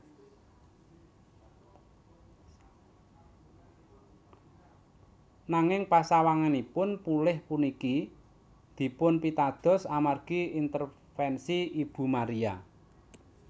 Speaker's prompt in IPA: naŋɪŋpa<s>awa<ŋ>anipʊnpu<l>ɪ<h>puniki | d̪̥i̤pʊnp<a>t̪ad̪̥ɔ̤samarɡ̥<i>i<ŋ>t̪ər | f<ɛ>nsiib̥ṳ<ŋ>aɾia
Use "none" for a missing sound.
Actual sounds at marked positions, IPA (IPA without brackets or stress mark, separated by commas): s, ŋ, l, h, i, i, n, ɛ, m